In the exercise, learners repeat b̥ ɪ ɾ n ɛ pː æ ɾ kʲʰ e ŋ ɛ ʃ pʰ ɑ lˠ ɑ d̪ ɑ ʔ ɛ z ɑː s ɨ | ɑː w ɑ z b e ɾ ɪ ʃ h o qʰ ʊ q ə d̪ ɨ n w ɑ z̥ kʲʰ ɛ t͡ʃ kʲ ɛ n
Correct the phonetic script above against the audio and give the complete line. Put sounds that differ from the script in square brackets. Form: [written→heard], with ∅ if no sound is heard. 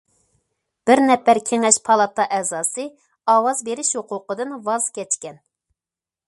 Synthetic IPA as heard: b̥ ɪ ɾ n ɛ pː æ ɾ kʲʰ e ŋ ɛ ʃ pʰ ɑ lˠ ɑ [d̪→t̪] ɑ ʔ ɛ z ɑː s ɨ | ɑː w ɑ z b e ɾ ɪ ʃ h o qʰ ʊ q ə d̪ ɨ n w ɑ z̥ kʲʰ ɛ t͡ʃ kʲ ɛ n